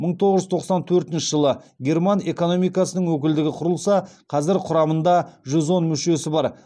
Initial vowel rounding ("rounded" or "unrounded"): unrounded